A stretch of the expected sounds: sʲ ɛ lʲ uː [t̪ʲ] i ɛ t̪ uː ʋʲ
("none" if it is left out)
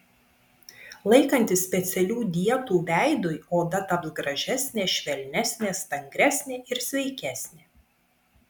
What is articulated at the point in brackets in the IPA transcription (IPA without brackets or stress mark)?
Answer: d̪ʲ